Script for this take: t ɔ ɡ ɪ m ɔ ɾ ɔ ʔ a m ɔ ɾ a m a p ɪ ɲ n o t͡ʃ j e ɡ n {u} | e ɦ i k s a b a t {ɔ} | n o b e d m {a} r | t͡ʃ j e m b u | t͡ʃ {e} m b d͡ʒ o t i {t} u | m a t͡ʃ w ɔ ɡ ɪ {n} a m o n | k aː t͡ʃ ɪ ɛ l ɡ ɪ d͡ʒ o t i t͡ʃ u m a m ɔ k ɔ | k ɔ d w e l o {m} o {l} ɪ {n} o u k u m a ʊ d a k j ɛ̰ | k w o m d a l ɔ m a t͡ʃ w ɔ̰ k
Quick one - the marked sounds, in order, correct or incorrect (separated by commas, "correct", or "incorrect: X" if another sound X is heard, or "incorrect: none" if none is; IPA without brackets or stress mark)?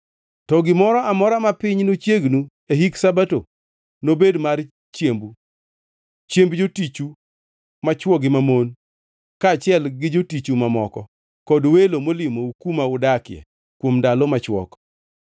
correct, incorrect: o, correct, correct, incorrect: t͡ʃ, incorrect: m, correct, correct, incorrect: m